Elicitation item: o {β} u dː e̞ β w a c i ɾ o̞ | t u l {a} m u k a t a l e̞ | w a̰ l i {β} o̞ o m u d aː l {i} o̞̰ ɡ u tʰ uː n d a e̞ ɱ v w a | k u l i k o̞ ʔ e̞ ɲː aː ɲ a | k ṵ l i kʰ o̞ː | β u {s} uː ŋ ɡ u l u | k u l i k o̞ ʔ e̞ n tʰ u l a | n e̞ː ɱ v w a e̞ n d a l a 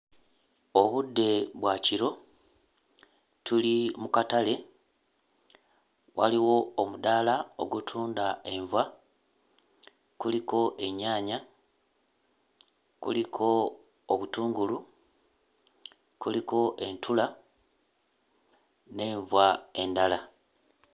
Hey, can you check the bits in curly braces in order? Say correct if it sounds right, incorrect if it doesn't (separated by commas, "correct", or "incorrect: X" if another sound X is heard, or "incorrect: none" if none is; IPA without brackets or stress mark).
correct, incorrect: i, incorrect: w, incorrect: a, incorrect: t